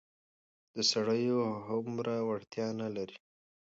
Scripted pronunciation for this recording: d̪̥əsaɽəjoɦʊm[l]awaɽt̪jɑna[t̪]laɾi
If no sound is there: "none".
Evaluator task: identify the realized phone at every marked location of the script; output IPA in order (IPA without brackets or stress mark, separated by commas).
ɾ, none